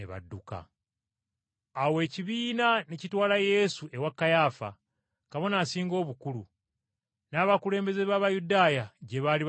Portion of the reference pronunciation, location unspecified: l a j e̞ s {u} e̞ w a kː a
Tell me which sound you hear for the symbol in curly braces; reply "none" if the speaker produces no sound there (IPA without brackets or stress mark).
u